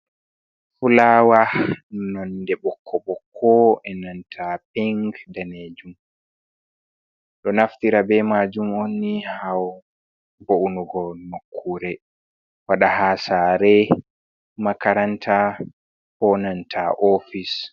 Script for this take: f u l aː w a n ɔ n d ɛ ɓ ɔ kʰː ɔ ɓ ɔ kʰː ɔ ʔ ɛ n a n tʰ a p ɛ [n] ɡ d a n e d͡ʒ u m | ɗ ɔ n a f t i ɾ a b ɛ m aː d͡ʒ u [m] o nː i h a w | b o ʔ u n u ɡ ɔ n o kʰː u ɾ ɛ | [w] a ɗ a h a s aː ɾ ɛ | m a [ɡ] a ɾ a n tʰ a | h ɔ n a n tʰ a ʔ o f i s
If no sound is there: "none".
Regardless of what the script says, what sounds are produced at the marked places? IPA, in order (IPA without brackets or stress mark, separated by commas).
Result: ŋ, m, w, k